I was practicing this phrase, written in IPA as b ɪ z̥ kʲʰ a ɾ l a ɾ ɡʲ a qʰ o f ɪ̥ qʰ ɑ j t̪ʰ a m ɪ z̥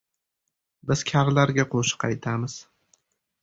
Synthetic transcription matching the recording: b ɪ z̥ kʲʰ a ɾ l a ɾ ɡʲ a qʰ o ʃ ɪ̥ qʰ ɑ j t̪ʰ a m ɪ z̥